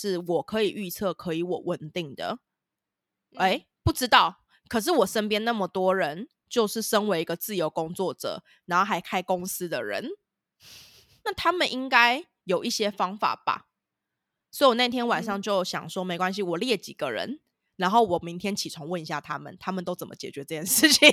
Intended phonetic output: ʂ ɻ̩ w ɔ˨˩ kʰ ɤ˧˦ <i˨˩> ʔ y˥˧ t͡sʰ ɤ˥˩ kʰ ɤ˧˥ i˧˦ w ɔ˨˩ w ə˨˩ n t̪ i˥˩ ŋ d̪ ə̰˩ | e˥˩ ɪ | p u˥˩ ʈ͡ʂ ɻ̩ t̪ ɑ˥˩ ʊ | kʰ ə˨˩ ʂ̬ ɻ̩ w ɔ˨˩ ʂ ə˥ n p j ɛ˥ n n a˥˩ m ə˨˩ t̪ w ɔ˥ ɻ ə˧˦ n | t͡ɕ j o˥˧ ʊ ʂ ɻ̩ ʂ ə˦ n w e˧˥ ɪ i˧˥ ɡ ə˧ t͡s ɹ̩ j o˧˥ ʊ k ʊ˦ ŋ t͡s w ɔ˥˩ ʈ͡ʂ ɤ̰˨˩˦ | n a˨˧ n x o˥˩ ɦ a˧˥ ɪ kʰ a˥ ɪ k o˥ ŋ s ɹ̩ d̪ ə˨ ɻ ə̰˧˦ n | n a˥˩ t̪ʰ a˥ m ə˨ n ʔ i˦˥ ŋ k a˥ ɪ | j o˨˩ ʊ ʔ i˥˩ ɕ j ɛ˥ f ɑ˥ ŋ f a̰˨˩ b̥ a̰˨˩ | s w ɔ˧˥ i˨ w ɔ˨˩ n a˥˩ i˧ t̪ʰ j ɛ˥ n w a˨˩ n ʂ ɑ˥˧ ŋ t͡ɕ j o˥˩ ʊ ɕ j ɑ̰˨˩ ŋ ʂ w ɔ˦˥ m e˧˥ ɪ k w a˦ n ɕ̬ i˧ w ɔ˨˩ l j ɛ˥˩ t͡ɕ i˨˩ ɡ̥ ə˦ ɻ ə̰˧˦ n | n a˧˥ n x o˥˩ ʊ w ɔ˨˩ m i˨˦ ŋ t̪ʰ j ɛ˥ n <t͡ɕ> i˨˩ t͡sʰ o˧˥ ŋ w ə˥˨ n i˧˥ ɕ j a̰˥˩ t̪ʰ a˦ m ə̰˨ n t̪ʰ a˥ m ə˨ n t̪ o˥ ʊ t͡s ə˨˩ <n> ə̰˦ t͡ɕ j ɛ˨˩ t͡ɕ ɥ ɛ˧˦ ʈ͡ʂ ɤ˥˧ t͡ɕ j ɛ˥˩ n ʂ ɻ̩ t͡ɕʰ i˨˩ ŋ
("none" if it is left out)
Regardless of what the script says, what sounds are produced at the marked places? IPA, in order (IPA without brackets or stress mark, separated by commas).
i˨˩, t͡ɕʰ, m